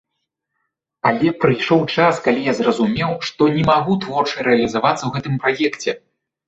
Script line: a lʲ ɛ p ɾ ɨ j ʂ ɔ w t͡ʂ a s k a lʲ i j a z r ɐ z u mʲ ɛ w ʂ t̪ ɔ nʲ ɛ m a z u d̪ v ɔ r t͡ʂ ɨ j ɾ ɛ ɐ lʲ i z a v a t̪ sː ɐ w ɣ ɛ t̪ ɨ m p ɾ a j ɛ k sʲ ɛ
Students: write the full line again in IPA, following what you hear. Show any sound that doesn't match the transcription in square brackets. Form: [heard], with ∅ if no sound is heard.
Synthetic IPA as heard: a lʲ ɛ p ɾ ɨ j ʂ ɔ w t͡ʂ a s k a lʲ i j a z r ɐ z u mʲ ɛ w ʂ t̪ ɔ nʲ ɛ m a [ɣ] u [t̪] v ɔ r t͡ʂ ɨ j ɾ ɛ ɐ lʲ i z a v a t̪ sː ɐ w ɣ ɛ t̪ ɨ m p ɾ a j ɛ k [t͡sʲ] ɛ